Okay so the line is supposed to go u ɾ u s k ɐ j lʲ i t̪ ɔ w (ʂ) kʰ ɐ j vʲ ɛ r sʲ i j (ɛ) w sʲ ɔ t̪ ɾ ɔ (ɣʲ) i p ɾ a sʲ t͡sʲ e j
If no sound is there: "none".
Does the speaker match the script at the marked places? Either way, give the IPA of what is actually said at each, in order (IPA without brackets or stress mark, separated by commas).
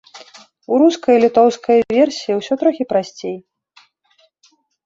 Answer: s, i, xʲ